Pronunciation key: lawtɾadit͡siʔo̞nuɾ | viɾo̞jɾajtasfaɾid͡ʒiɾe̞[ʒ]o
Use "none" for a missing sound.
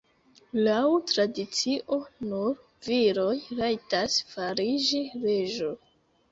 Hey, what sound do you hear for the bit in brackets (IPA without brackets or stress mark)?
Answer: ʒ